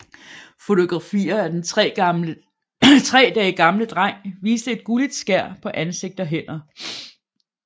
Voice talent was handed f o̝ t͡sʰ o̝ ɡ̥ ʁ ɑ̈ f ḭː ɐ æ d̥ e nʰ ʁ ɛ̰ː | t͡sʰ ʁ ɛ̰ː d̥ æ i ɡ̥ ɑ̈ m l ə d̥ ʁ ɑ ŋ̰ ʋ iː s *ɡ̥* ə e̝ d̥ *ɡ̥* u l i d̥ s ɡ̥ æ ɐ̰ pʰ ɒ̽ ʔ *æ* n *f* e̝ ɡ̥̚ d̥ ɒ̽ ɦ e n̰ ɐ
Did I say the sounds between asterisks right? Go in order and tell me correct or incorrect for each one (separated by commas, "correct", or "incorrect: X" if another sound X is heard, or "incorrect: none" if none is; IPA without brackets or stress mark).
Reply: incorrect: d̥, correct, correct, incorrect: s